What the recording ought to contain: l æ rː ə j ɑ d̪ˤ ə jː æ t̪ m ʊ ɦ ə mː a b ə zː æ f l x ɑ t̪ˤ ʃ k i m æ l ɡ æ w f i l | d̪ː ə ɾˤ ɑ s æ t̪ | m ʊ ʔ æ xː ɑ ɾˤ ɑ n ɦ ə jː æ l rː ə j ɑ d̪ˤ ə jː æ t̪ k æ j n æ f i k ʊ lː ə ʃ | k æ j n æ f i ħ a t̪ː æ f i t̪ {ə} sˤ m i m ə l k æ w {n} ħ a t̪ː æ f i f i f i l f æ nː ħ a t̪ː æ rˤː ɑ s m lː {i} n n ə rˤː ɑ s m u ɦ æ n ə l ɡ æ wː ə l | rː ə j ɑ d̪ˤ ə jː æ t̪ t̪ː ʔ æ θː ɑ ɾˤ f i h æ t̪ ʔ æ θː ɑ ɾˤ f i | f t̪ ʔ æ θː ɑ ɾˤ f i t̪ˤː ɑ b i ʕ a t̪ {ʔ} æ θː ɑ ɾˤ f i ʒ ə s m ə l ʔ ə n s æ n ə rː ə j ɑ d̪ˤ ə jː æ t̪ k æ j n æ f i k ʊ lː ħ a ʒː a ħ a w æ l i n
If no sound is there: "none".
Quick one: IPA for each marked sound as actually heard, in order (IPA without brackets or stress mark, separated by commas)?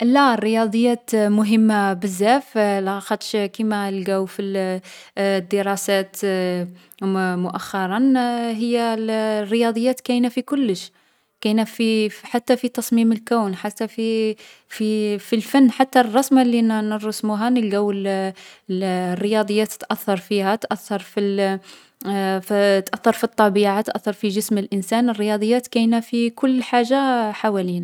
ɑ, n, i, ʔ